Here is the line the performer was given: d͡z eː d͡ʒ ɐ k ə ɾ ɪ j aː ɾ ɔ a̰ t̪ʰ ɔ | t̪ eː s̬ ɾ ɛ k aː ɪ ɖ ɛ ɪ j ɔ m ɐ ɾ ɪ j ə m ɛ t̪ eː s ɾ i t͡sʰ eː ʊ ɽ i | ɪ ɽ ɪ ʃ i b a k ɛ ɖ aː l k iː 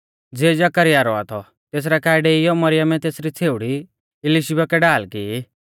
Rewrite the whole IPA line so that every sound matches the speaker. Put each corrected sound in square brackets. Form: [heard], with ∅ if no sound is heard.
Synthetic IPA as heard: d͡z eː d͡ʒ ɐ k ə ɾ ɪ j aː ɾ ɔ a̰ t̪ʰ ɔ | t̪ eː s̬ ɾ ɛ k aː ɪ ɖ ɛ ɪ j ɔ m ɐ ɾ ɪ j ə m ɛ t̪ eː s ɾ i t͡sʰ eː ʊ ɽ i | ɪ [l] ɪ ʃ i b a k ɛ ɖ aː l k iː